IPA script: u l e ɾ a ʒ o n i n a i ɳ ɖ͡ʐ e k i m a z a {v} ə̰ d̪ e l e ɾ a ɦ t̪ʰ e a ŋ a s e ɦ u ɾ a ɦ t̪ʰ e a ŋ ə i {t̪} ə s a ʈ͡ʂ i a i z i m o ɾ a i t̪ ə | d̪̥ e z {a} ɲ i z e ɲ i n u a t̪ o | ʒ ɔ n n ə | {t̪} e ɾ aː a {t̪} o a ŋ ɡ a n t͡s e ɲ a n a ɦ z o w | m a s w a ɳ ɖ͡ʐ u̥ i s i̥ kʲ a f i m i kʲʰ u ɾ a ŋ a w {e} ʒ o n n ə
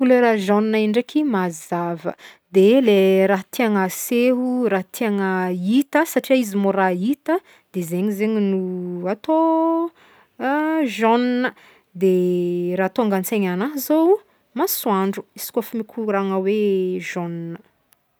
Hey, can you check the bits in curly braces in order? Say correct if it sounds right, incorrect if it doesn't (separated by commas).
correct, correct, incorrect, incorrect, correct, correct